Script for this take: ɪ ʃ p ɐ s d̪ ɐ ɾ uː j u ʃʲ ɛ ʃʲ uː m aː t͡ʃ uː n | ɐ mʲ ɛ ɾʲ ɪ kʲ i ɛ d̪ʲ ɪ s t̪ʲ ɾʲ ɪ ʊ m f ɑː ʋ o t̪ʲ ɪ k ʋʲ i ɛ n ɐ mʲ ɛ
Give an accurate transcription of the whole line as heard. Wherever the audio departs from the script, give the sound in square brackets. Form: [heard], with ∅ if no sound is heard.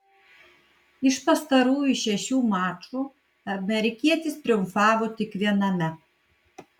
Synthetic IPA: ɪ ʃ p ɐ s [t̪] ɐ ɾ uː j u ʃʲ ɛ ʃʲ uː m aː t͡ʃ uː [∅] | ɐ mʲ ɛ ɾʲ ɪ kʲ i ɛ [t̪ʲ] ɪ s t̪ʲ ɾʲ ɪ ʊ m f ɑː ʋ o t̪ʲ ɪ k ʋʲ i ɛ n ɐ mʲ ɛ

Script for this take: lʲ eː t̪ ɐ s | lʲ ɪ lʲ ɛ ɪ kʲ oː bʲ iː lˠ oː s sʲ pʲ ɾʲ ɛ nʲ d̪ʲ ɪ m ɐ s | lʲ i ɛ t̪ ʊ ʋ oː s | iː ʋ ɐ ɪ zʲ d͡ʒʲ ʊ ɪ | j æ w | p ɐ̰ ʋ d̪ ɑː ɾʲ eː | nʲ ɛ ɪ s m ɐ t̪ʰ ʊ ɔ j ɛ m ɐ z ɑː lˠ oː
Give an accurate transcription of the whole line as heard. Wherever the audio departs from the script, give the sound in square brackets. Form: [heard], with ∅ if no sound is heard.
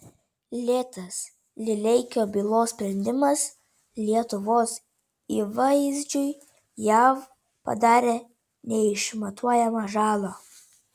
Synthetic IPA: lʲ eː t̪ ɐ s | lʲ ɪ lʲ ɛ ɪ kʲ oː bʲ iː lˠ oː s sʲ pʲ ɾʲ ɛ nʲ d̪ʲ ɪ m ɐ s | lʲ i ɛ t̪ ʊ ʋ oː s | iː ʋ ɐ ɪ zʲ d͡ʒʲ ʊ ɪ | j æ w | p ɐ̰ [∅] d̪ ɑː ɾʲ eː | nʲ ɛ ɪ [ʃ] m ɐ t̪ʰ [u] ɔ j ɛ m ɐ [ʒ] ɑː lˠ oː

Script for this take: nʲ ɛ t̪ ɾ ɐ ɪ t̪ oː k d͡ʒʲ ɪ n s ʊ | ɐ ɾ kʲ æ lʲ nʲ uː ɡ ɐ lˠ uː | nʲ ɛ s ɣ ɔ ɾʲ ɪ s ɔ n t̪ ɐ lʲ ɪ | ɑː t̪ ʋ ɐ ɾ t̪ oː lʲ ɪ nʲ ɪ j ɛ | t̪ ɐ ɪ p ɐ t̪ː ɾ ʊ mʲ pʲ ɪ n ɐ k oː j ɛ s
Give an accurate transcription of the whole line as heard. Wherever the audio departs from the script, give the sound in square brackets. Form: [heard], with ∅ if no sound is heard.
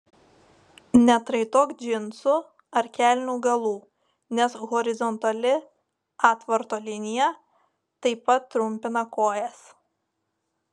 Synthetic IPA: nʲ ɛ t̪ ɾ ɐ ɪ t̪ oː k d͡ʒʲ ɪ n s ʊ | ɐ ɾ kʲ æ lʲ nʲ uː ɡ ɐ lˠ uː | nʲ ɛ s ɣ ɔ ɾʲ ɪ [z] ɔ n t̪ ɐ lʲ ɪ | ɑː t̪ ʋ ɐ ɾ t̪ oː lʲ ɪ nʲ ɪ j ɛ | t̪ ɐ ɪ p ɐ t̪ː ɾ ʊ mʲ pʲ ɪ n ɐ k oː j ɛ s

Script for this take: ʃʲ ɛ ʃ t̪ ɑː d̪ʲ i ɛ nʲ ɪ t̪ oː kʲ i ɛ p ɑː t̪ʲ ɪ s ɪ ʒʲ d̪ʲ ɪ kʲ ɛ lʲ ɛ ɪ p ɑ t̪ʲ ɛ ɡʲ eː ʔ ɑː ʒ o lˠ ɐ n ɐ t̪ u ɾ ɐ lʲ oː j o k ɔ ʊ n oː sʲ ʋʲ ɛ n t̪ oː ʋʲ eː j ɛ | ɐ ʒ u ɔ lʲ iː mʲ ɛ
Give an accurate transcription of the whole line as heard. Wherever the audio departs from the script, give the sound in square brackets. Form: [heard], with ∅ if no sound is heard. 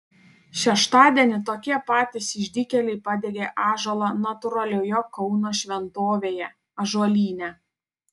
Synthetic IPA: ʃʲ ɛ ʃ t̪ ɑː d̪ʲ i ɛ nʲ ɪ t̪ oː kʲ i ɛ p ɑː t̪ʲ ɪ s ɪ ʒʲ d̪ʲ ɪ kʲ ɛ lʲ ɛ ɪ p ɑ [d̪ʲ] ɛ ɡʲ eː ʔ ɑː ʒ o lˠ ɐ n ɐ t̪ [ʊ] ɾ ɐ lʲ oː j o k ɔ ʊ n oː [ʃʲ] ʋʲ ɛ n t̪ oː ʋʲ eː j ɛ | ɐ ʒ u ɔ lʲ iː [nʲ] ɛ

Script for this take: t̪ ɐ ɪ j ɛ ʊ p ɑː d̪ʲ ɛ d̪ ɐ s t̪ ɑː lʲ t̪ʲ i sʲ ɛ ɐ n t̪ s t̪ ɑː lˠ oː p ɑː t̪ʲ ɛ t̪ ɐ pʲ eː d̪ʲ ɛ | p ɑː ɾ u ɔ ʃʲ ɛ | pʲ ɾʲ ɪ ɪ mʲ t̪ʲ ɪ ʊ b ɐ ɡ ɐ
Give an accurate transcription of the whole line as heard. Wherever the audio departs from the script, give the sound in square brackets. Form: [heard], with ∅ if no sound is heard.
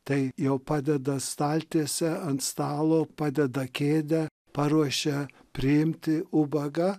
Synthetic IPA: t̪ ɐ ɪ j ɛ ʊ p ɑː d̪ʲ ɛ d̪ ɐ s t̪ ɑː lʲ t̪ʲ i sʲ ɛ ɐ n t̪ s t̪ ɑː lˠ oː p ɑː [d̪ʲ] ɛ [d̪] ɐ [kʲ] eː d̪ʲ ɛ | p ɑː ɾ u ɔ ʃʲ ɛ | pʲ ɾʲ ɪ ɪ mʲ t̪ʲ ɪ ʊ b ɐ ɡ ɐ

